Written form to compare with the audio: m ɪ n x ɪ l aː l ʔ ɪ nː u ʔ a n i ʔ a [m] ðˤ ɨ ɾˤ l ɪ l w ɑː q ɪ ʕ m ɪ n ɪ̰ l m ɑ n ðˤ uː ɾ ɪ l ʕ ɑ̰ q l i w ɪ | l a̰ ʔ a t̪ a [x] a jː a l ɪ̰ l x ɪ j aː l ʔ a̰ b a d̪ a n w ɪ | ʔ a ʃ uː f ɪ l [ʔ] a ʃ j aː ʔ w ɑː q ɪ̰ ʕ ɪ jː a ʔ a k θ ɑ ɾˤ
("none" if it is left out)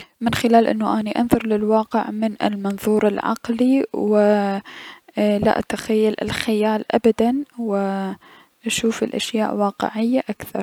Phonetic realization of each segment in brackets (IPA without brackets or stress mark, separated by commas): n, x, ʔ